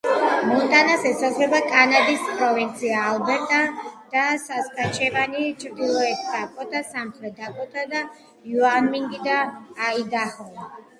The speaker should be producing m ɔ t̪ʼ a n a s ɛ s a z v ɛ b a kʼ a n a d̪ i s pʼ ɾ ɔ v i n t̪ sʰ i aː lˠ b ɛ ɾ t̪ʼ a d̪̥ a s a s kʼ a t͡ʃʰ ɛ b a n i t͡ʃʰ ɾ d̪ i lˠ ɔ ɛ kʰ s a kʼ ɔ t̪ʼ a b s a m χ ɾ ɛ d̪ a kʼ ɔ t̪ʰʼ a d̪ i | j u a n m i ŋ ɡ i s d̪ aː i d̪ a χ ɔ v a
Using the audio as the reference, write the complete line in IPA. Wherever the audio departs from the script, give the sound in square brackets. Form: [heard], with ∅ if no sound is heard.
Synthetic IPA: m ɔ t̪ʼ a n a s ɛ s a z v ɛ b a kʼ a n a d̪ i s pʼ ɾ ɔ v i n t̪ sʰ i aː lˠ b ɛ ɾ t̪ʼ a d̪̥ a s a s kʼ a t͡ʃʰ ɛ [v] a n i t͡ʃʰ ɾ d̪ i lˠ ɔ ɛ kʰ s a kʼ ɔ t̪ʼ a [∅] s a m χ ɾ ɛ d̪ a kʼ ɔ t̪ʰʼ a d̪ [a] | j u a n m i ŋ ɡ i [∅] d̪ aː i d̪ a χ ɔ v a